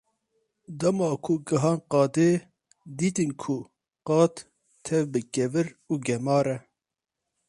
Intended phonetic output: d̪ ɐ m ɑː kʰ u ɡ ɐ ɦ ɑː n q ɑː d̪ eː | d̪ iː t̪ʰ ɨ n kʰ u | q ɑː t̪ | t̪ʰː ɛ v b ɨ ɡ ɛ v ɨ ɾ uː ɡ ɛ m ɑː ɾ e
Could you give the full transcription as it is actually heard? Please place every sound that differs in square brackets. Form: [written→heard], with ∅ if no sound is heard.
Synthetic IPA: d̪ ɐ m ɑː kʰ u ɡ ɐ ɦ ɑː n q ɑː d̪ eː | d̪ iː [t̪ʰ→t̪] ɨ n kʰ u | q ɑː t̪ | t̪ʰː ɛ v b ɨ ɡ ɛ v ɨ ɾ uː ɡ ɛ m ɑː ɾ [e→ɛ]